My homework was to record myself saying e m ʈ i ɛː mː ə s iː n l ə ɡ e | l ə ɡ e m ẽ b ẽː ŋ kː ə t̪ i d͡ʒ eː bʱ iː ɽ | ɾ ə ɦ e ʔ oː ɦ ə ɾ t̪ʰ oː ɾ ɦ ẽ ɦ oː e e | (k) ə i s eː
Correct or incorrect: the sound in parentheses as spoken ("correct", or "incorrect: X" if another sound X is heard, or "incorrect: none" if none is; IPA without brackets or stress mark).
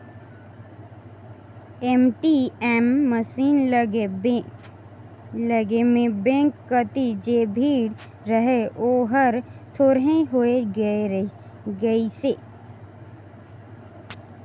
incorrect: ɡ